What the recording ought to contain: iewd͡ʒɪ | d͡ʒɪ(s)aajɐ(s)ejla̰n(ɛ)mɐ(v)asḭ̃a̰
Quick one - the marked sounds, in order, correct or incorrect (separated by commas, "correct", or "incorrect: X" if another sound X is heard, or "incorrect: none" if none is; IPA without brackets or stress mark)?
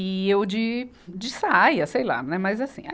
correct, correct, correct, incorrect: z